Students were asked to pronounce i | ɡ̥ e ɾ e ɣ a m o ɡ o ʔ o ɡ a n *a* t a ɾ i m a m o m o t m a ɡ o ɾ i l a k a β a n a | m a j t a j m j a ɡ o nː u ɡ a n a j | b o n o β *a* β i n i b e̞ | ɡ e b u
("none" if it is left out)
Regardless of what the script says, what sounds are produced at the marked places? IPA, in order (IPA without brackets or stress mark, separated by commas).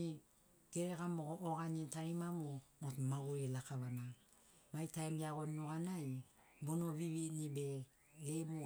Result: i, i